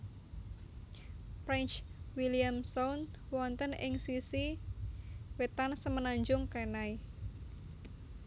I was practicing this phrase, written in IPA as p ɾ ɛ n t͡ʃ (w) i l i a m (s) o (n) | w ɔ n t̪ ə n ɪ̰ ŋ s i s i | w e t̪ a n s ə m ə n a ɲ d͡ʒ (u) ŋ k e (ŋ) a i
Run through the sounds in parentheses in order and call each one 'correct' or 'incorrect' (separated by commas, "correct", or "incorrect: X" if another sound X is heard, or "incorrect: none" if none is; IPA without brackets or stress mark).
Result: correct, correct, correct, incorrect: ʊ, incorrect: n